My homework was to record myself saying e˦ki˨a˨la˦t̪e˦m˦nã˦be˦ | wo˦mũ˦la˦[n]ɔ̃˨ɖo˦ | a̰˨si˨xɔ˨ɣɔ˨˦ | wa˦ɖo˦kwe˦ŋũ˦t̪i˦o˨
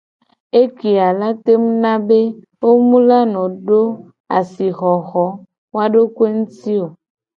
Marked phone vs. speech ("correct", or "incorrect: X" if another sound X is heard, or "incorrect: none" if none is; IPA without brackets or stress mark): correct